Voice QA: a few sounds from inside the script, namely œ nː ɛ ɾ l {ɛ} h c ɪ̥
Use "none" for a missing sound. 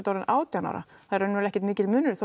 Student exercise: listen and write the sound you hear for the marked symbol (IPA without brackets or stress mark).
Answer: ɛ